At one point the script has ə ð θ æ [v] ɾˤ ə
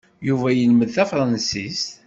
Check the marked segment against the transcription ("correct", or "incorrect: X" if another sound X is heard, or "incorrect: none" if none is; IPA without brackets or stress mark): incorrect: f